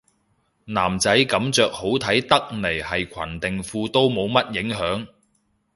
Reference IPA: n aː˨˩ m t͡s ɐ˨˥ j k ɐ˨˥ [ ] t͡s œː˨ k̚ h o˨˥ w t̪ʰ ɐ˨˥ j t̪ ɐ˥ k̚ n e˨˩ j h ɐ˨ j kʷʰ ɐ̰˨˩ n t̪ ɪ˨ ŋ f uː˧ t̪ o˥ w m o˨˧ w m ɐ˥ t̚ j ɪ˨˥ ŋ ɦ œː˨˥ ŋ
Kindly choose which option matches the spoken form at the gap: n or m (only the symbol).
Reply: m